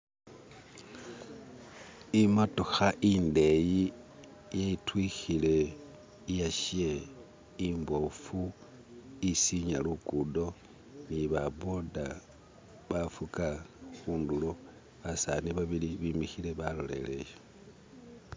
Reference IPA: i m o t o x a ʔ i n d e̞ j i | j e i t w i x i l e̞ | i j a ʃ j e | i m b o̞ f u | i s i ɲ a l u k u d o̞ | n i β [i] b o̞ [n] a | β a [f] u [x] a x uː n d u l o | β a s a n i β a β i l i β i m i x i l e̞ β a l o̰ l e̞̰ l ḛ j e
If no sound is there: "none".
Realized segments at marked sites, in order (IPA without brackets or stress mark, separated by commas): a, d, f, k